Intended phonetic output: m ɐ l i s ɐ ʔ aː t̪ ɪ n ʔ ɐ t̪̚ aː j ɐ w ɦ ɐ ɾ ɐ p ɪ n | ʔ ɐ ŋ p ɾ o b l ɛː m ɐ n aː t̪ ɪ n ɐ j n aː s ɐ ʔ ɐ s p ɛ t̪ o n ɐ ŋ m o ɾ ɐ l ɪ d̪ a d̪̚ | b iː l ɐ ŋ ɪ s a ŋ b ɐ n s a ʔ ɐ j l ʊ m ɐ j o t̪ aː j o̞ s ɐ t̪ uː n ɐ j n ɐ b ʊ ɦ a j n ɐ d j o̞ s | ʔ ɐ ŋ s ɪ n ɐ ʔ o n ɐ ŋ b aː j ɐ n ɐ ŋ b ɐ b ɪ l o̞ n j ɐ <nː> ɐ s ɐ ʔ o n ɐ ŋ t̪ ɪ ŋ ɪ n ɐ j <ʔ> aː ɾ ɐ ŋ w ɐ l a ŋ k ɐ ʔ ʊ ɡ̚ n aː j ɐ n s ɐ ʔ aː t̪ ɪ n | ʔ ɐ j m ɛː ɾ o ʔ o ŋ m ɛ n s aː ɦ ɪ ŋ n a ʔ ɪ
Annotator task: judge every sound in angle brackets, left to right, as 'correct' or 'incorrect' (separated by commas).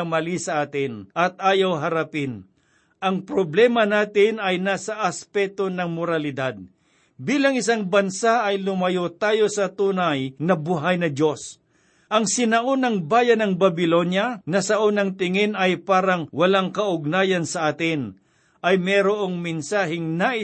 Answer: incorrect, incorrect